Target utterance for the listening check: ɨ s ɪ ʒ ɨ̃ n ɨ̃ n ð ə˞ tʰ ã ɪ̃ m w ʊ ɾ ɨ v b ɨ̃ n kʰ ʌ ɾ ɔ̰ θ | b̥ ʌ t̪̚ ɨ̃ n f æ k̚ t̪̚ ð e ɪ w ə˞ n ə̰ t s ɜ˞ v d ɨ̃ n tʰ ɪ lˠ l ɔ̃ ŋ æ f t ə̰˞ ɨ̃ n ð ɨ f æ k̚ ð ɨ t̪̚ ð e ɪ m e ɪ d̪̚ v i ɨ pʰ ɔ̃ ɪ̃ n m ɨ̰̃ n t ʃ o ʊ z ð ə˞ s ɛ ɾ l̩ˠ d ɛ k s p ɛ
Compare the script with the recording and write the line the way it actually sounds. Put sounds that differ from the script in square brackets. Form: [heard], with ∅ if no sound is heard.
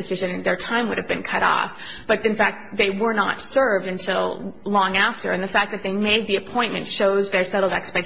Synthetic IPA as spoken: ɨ s ɪ ʒ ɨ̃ n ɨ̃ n ð ə˞ tʰ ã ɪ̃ m w ʊ ɾ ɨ v b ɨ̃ n kʰ ʌ ɾ ɔ̰ [f] | b̥ ʌ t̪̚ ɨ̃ n f æ k̚ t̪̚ ð e ɪ w ə˞ n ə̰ t s ɜ˞ v d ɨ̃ n tʰ ɪ lˠ l ɔ̃ ŋ æ f t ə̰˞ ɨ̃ n ð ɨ f æ k̚ ð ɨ t̪̚ ð e ɪ m e ɪ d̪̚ [ð] i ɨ pʰ ɔ̃ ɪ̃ n m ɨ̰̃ n t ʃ o ʊ z ð ə˞ s ɛ ɾ l̩ˠ d ɛ k s p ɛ

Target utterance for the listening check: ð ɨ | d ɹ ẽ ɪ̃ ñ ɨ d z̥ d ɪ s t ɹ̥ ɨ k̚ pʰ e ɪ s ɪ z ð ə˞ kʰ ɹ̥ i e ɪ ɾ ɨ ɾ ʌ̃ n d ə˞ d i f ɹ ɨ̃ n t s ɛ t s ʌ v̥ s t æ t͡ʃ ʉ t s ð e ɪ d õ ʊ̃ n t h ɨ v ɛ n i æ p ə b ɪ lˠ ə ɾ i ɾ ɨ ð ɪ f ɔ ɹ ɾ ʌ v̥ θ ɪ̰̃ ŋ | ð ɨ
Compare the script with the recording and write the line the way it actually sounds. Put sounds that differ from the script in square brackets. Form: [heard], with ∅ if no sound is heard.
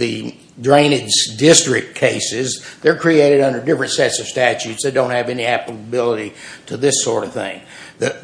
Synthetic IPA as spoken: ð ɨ | d ɹ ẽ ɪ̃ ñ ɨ d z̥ d ɪ s t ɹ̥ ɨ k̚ [kʰ] e ɪ s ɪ z ð ə˞ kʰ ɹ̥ i e ɪ ɾ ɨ ɾ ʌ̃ n d ə˞ d [ɪ] f ɹ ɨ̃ n t s ɛ t s ʌ v̥ s t æ t͡ʃ ʉ t s ð e ɪ d õ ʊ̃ n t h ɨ v ɛ n i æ p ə b ɪ lˠ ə ɾ i ɾ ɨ ð ɪ [s] ɔ ɹ ɾ ʌ v̥ θ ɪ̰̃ ŋ | ð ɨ

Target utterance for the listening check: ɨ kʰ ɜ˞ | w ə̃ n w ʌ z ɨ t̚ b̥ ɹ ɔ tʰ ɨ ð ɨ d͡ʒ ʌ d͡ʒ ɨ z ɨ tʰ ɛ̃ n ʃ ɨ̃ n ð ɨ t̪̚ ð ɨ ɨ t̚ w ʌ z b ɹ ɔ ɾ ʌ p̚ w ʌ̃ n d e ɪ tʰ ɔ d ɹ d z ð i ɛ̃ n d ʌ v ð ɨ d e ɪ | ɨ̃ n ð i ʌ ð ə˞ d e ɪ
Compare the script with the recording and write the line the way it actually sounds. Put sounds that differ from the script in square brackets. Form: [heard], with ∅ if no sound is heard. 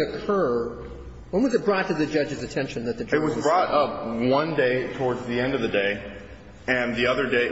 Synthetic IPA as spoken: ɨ kʰ ɜ˞ | w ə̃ n w ʌ z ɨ t̚ b̥ ɹ ɔ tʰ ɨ ð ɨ d͡ʒ ʌ d͡ʒ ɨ z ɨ tʰ ɛ̃ n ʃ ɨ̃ n ð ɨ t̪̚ ð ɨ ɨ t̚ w ʌ z b ɹ ɔ ɾ ʌ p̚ w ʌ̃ n d e ɪ tʰ ɔ [∅] ɹ d z ð i ɛ̃ n d ʌ v ð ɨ d e ɪ | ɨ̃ n ð i ʌ ð ə˞ d e ɪ

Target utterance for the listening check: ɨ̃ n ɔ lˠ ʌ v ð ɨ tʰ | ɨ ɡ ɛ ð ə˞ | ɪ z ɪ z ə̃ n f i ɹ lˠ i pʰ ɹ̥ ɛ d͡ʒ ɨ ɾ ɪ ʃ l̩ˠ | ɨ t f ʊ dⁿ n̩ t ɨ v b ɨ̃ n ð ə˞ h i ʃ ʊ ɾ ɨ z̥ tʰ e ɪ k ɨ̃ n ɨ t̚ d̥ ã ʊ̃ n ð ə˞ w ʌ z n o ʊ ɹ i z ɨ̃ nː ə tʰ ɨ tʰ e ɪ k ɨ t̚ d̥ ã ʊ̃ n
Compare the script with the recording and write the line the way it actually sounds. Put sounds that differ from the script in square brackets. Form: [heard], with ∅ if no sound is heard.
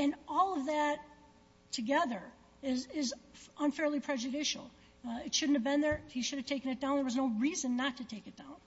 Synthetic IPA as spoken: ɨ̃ n ɔ lˠ ʌ v ð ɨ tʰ | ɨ ɡ ɛ ð ə˞ | ɪ z ɪ z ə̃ n f [ɛ] ɹ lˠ i pʰ ɹ̥ ɛ d͡ʒ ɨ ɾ ɪ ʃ l̩ˠ | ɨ t [ʃ] ʊ dⁿ n̩ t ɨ v b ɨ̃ n ð ə˞ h i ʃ ʊ ɾ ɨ [v̥] tʰ e ɪ k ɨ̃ n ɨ t̚ d̥ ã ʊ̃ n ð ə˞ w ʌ z n o ʊ ɹ i z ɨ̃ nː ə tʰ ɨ tʰ e ɪ k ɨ t̚ d̥ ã ʊ̃ n

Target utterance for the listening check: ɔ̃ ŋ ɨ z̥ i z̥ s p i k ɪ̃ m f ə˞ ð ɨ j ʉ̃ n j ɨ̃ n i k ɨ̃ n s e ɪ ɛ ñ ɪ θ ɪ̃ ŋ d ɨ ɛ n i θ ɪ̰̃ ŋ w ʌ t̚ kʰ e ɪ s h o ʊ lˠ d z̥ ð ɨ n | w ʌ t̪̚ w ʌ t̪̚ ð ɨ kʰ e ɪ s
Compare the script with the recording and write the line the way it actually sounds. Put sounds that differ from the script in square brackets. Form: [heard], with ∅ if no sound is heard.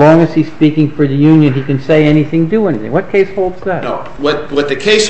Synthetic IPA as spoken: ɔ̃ ŋ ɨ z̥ i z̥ s p i k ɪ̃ [ŋ] f ə˞ ð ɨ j ʉ̃ n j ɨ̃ n i k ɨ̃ n s e ɪ ɛ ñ [i] θ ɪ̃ ŋ d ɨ ɛ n i θ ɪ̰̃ ŋ w ʌ t̚ kʰ e ɪ s h o ʊ lˠ d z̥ ð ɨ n | w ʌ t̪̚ w ʌ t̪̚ ð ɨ kʰ e ɪ s

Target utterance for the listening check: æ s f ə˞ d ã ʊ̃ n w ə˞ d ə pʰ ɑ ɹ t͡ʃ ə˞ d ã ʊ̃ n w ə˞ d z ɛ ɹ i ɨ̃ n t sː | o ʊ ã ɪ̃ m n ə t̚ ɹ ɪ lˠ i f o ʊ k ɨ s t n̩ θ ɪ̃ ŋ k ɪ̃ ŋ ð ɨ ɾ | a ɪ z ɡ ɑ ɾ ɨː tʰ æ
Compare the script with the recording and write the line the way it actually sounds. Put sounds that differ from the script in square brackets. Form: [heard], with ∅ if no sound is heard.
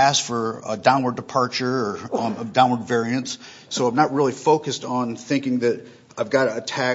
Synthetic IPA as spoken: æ s f ə˞ d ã ʊ̃ n w ə˞ d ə pʰ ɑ ɹ t͡ʃ ə˞ d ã ʊ̃ n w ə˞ d [v] ɛ ɹ i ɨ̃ n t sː | o ʊ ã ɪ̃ m n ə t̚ ɹ ɪ lˠ i f o ʊ k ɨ s t n̩ θ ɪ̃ ŋ k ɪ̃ ŋ ð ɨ ɾ | a ɪ [v] ɡ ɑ ɾ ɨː tʰ æ

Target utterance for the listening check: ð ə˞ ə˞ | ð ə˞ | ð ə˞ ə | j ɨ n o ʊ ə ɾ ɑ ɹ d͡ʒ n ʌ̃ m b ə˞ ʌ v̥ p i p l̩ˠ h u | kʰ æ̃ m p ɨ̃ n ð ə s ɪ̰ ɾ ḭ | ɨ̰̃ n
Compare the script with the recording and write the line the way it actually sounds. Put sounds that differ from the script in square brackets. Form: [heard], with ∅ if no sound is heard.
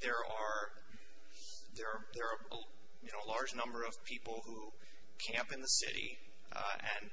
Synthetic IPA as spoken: ð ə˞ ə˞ | ð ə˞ | ð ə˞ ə | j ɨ n o ʊ ə [l] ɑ ɹ d͡ʒ n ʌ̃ m b ə˞ ʌ v̥ [pʰ] i p l̩ˠ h u | kʰ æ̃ m p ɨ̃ n ð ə s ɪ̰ ɾ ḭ | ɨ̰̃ n

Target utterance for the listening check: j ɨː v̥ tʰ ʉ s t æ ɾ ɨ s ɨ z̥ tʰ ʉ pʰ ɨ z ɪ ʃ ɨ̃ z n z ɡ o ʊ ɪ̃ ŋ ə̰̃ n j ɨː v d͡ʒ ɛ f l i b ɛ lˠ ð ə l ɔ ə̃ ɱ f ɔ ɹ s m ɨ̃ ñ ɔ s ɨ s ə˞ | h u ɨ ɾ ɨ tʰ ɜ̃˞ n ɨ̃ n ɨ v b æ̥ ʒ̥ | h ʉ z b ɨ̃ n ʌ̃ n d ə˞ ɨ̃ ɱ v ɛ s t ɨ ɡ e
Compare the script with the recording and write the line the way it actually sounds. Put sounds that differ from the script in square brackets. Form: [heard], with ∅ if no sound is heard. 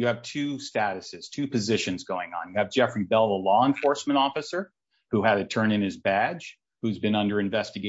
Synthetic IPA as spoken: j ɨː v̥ tʰ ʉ s t æ ɾ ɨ s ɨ z̥ tʰ ʉ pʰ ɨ z ɪ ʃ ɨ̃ [∅] n z ɡ o ʊ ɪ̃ ŋ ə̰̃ n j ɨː v d͡ʒ ɛ f [ɹ] i b ɛ lˠ ð ə l ɔ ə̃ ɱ f ɔ ɹ s m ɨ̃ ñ ɔ [f] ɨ s ə˞ | h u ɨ ɾ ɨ tʰ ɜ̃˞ n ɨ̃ n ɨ [z] b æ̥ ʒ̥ | h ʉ z b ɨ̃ n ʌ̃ n d ə˞ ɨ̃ ɱ v ɛ s t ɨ ɡ e

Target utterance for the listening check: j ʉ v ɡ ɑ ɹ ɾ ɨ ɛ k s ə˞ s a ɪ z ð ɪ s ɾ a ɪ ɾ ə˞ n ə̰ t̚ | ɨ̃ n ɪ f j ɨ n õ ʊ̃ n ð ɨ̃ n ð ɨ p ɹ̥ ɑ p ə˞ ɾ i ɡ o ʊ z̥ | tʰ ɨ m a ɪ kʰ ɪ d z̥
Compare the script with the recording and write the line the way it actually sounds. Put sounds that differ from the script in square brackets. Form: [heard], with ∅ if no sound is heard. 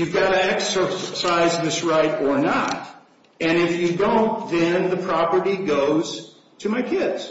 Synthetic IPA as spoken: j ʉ v ɡ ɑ [∅] ɾ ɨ ɛ k s ə˞ s a ɪ z ð ɪ s [ɹ] a ɪ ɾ ə˞ n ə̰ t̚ | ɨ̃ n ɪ f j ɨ [d] õ ʊ̃ n ð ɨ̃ n ð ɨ [pʰ] ɹ̥ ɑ p ə˞ ɾ i ɡ o ʊ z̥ | tʰ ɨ m a ɪ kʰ ɪ d z̥

